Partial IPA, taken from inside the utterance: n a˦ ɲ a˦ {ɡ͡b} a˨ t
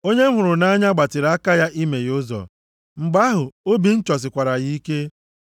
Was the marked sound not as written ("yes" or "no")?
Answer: no